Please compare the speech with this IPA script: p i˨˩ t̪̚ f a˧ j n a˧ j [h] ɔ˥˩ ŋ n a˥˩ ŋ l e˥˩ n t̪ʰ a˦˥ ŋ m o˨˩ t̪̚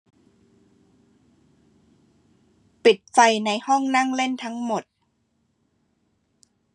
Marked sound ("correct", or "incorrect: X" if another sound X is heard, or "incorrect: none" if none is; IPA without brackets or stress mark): correct